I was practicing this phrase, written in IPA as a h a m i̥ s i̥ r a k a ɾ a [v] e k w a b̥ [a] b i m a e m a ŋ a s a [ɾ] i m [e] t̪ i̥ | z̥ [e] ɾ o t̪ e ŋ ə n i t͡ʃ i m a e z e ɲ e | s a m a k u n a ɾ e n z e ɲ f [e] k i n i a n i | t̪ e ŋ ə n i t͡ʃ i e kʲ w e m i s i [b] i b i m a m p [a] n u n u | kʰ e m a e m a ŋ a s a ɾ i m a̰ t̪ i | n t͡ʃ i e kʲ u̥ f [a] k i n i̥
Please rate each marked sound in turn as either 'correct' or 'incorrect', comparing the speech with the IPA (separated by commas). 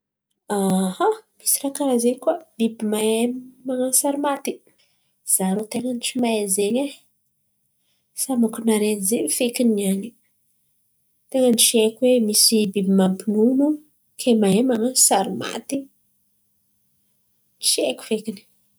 incorrect, incorrect, correct, incorrect, incorrect, correct, correct, incorrect, incorrect